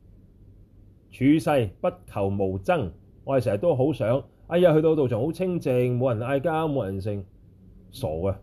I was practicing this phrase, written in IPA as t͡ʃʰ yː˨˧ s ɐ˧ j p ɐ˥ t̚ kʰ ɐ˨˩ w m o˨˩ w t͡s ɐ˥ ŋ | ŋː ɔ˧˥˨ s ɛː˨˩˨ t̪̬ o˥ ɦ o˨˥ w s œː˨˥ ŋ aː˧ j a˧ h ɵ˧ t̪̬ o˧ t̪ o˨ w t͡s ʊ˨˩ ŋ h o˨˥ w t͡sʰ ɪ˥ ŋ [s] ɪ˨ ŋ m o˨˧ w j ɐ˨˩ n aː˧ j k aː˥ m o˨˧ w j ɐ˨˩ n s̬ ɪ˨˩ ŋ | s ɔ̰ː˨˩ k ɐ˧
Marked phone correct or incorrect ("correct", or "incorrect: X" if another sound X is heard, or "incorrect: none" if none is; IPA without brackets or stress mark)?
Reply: incorrect: t͡s